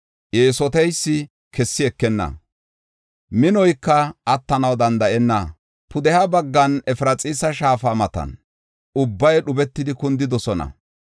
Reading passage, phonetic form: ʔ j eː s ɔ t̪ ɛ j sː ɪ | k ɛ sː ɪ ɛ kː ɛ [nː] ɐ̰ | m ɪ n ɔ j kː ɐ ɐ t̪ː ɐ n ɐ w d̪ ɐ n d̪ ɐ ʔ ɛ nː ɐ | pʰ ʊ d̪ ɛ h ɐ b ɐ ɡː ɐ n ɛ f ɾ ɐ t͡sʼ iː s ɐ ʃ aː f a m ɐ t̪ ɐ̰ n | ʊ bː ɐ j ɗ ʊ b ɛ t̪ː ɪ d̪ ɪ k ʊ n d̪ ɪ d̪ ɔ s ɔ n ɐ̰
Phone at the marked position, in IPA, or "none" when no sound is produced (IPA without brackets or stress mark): nː